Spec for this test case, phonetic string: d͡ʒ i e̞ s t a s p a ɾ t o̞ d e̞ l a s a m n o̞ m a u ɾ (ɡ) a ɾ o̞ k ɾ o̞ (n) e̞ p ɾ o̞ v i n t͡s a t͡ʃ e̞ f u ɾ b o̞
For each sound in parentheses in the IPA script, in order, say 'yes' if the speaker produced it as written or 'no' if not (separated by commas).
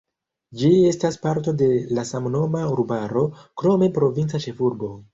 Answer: no, no